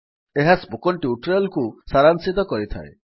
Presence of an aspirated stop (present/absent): present